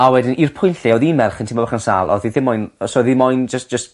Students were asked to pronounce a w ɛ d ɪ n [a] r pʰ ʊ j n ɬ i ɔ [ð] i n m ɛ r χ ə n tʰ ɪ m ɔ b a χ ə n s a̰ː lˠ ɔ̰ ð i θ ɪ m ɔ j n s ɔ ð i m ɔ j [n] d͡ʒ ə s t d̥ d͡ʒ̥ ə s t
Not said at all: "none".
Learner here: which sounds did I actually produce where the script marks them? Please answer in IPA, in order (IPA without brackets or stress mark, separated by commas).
i, ð, n